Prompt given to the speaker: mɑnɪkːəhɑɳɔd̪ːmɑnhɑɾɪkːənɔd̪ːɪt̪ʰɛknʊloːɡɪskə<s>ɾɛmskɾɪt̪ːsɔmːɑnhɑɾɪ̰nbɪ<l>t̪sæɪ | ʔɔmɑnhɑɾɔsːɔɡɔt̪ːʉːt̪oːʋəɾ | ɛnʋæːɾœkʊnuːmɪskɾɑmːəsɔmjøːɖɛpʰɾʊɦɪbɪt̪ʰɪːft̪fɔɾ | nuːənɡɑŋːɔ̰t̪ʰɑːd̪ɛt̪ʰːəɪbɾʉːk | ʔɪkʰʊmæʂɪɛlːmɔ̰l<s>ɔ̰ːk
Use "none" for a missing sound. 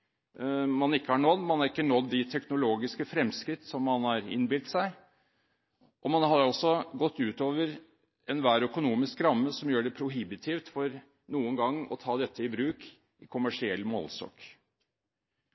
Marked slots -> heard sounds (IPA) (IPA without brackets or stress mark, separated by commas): f, l, s